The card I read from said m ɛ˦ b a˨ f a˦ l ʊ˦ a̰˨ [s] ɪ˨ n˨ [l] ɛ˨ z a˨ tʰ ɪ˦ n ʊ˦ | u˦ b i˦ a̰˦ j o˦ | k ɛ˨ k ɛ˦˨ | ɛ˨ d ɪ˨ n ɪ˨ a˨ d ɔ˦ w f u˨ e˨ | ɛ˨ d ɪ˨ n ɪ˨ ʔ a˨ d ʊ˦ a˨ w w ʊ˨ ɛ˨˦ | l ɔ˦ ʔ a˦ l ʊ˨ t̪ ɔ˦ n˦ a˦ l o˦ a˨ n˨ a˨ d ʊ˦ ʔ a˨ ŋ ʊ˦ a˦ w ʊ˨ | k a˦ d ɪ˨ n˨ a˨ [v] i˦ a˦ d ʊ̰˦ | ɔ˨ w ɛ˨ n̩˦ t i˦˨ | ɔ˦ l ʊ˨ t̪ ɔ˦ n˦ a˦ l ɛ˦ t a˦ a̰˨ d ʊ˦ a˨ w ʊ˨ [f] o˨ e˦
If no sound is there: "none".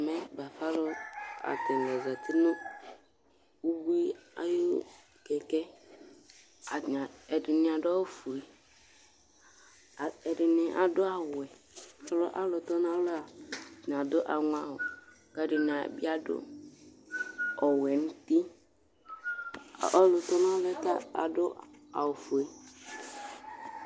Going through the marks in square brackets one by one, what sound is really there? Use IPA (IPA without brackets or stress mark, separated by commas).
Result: t, l, b, f